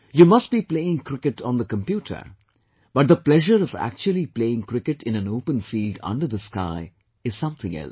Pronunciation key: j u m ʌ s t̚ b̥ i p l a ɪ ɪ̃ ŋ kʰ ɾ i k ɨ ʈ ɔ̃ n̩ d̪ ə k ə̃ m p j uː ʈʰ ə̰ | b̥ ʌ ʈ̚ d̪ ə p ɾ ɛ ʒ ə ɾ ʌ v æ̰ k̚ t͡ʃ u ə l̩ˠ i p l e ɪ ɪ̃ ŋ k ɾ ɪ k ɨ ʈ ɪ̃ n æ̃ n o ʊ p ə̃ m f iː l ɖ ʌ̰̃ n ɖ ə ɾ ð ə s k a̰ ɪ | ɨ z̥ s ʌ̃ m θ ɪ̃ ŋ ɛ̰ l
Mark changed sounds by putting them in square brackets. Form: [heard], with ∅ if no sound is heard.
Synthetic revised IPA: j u m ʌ s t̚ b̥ i p l [e] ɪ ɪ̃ ŋ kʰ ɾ [ɪ] k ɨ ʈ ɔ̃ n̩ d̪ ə k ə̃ m p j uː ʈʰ ə̰ | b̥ ʌ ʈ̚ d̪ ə p [l] ɛ ʒ ə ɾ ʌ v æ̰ k̚ t͡ʃ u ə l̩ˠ i p l e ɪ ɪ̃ ŋ k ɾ ɪ k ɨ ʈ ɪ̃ n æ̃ n o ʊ p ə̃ [n] f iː l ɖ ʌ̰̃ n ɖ ə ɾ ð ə s k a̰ ɪ | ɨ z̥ s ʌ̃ m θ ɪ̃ ŋ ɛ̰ l